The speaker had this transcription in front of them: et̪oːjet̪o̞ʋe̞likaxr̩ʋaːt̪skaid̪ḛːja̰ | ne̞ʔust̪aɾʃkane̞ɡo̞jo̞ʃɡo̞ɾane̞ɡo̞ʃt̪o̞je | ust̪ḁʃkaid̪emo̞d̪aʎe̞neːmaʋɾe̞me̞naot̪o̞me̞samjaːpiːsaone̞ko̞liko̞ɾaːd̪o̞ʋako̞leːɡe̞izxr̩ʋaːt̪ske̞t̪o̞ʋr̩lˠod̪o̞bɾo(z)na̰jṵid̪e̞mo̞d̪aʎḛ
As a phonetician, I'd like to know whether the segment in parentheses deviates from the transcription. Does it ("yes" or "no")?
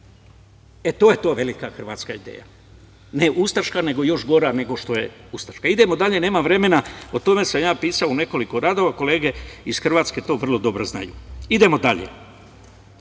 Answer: no